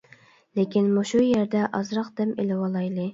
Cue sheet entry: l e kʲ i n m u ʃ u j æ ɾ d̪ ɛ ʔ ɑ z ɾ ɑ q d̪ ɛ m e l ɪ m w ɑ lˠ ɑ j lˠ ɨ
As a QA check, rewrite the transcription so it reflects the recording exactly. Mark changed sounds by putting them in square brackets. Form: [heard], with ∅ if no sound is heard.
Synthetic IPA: l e kʲ i n m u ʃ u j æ ɾ d̪ ɛ ʔ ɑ z ɾ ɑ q d̪ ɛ m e l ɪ [∅] w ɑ lˠ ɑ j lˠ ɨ